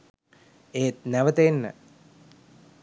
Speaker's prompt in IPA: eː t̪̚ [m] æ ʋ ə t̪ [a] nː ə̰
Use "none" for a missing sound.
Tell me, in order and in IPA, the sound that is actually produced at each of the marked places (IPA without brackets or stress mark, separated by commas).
n, e